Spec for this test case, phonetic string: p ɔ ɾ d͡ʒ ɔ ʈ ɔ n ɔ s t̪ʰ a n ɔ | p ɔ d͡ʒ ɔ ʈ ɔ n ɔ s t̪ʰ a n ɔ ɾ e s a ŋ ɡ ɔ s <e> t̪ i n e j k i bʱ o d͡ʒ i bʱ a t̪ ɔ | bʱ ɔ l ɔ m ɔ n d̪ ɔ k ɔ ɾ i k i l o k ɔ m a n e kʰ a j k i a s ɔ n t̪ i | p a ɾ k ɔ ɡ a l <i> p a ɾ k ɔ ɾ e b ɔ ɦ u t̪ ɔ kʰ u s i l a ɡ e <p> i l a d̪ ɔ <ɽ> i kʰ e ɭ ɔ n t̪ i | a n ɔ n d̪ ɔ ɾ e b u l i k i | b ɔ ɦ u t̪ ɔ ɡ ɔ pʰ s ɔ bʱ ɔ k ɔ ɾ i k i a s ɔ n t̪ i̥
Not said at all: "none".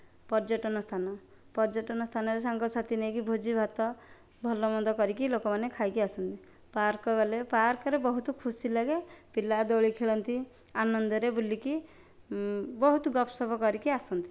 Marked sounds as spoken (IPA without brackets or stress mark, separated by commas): a, e, p, ɭ